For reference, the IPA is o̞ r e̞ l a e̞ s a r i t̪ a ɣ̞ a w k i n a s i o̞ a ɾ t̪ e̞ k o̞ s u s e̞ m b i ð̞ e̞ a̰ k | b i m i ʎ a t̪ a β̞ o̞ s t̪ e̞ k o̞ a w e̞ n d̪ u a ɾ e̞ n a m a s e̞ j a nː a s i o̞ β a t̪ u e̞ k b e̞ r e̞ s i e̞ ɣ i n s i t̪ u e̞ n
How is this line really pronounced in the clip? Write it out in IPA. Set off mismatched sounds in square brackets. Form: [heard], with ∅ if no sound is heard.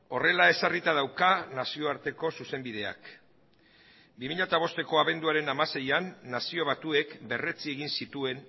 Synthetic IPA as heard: o̞ r e̞ l a e̞ s a r i t̪ a [ð̞] a w k [a] n a s i o̞ a ɾ t̪ e̞ k o̞ s u s e̞ m b i ð̞ e̞ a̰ k | b i m i ʎ a t̪ a β̞ o̞ s t̪ e̞ k o̞ a [β] e̞ n d̪ u a ɾ e̞ n a m a s e̞ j a nː a s i o̞ β a t̪ u e̞ k b e̞ r e̞ [t͡s] i e̞ ɣ i n s i t̪ u e̞ n